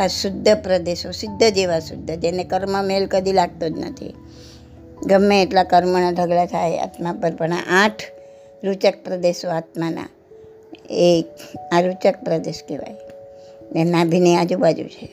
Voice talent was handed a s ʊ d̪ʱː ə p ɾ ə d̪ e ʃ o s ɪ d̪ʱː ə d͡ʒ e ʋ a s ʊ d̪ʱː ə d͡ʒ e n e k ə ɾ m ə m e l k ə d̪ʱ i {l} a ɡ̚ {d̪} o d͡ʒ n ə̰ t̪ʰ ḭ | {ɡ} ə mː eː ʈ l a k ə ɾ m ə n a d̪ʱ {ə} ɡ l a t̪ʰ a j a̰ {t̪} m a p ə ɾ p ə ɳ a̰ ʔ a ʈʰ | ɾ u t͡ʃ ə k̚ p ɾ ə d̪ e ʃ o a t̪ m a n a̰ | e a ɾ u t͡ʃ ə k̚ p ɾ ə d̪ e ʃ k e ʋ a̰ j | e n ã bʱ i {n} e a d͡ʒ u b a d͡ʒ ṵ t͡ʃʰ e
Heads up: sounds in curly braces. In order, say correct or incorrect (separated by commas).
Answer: correct, incorrect, correct, correct, correct, correct